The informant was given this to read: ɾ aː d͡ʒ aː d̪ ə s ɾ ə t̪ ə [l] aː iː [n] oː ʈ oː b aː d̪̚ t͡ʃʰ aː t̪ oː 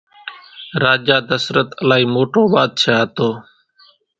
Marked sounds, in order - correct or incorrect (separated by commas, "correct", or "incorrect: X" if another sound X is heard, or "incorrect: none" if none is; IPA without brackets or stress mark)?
correct, incorrect: m